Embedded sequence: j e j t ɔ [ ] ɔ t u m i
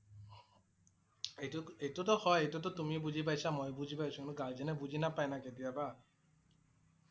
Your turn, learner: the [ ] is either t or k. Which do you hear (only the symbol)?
t